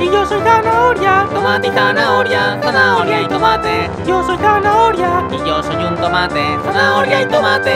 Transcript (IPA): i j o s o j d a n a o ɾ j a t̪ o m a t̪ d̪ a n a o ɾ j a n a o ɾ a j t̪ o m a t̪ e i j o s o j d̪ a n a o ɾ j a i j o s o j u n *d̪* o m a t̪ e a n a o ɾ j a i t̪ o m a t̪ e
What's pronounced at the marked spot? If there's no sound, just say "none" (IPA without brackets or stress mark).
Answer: t̪